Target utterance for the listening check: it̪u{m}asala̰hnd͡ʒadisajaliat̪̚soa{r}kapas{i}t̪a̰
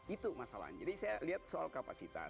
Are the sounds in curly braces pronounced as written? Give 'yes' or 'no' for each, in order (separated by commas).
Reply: yes, no, yes